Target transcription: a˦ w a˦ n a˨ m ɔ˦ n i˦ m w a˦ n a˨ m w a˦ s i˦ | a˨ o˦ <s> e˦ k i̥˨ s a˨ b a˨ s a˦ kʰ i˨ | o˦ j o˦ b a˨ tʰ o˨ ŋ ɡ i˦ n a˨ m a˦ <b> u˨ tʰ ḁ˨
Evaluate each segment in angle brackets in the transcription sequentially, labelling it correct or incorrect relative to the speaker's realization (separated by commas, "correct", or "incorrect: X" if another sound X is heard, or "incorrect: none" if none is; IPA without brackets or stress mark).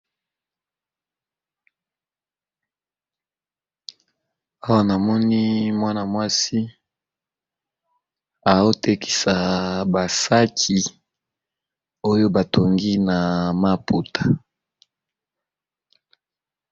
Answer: incorrect: t, incorrect: p